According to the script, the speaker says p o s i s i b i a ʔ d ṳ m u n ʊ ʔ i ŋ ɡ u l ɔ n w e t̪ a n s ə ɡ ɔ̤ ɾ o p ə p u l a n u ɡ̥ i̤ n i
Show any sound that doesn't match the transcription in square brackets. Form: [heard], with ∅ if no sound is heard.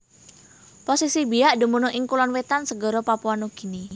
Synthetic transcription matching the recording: p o s i s i b i a ʔ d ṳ m u n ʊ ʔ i ŋ [k] u l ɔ n w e t̪ a n s ə ɡ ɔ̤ ɾ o p [a] p u [∅] a n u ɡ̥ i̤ n i